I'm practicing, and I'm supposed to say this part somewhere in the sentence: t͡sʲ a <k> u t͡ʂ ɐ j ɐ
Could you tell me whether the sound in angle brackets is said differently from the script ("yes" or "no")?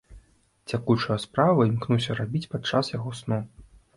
no